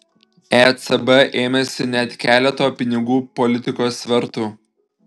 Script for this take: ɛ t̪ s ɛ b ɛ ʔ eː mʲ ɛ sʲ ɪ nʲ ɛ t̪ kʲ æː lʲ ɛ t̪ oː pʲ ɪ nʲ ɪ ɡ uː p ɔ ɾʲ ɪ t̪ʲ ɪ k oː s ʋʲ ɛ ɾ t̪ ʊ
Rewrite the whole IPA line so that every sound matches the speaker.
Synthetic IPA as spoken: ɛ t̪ s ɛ b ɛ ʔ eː mʲ ɛ sʲ ɪ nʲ ɛ t̪ kʲ æː lʲ ɛ t̪ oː pʲ ɪ nʲ ɪ ɡ uː p ɔ lʲ ɪ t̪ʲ ɪ k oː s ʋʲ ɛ ɾ t̪ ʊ